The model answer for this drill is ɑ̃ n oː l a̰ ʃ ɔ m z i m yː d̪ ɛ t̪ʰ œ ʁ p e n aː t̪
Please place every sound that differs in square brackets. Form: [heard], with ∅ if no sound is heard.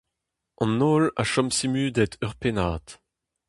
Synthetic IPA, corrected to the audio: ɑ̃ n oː l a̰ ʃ ɔ m [s] i m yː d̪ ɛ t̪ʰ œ ʁ p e n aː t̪